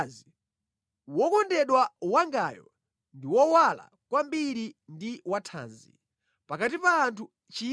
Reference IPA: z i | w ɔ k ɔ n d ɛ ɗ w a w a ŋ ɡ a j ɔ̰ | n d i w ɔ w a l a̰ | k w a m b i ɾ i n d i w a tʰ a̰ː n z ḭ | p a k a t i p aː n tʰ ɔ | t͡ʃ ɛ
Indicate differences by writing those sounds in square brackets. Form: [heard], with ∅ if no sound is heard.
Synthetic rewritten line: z i | w ɔ k ɔ n d ɛ ɗ w a w a ŋ ɡ a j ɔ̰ | n d i w ɔ w a l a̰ | k w a m b i ɾ i n d i w a tʰ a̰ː n z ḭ | p a k a t i p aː n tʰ [u] | t͡ʃ [i]